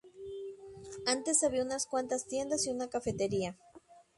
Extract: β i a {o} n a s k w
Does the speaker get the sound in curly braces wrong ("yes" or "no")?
yes